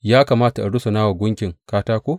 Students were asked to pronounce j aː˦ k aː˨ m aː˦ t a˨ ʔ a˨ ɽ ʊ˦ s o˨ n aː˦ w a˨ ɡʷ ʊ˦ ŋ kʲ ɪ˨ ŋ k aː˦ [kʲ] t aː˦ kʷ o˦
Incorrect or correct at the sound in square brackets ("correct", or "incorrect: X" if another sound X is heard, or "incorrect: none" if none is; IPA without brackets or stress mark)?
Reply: incorrect: none